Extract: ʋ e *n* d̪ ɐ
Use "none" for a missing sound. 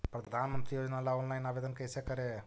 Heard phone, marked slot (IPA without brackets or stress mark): none